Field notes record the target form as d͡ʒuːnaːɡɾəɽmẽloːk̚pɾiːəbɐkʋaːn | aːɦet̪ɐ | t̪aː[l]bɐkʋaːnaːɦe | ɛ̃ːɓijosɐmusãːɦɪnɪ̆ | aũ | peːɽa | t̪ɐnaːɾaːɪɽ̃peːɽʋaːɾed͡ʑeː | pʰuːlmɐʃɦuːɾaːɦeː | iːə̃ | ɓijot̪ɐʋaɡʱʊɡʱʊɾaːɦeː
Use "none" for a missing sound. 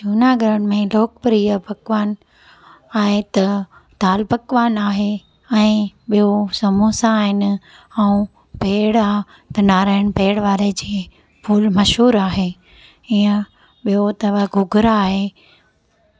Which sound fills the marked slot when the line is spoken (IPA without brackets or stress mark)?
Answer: l